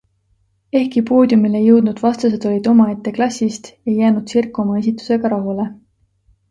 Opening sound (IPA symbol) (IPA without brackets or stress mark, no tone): e̞